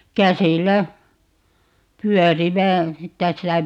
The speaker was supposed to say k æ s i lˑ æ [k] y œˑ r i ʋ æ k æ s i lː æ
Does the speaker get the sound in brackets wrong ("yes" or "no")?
yes